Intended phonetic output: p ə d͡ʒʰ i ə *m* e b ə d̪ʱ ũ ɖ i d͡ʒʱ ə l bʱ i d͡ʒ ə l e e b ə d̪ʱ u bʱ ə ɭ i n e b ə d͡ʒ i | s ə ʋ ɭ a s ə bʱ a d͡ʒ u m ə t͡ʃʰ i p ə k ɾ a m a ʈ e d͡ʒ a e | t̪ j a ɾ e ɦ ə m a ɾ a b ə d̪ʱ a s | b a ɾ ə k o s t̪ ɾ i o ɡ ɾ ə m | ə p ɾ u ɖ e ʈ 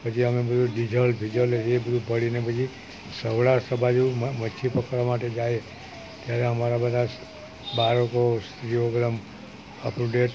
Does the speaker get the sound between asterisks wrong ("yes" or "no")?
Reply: no